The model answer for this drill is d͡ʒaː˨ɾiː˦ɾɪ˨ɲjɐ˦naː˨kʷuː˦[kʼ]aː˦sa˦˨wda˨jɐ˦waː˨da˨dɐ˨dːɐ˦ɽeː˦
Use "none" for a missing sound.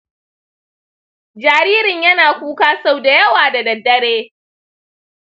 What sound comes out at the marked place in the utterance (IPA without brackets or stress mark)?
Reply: k